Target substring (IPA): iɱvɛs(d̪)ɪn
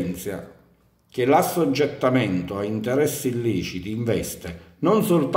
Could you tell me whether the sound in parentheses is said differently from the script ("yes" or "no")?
yes